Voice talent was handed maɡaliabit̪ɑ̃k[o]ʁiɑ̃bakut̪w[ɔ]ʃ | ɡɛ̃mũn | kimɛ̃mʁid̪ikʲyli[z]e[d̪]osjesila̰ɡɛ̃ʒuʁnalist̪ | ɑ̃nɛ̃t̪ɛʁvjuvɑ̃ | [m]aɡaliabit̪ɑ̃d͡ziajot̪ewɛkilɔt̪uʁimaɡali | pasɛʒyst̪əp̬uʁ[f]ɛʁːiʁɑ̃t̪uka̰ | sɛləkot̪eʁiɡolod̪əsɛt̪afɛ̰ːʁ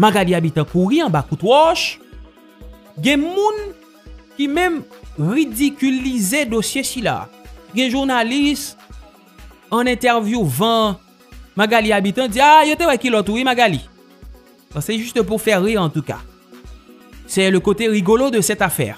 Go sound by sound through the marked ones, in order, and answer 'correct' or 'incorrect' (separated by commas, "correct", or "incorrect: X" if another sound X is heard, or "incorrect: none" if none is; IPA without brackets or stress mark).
incorrect: u, correct, correct, correct, correct, correct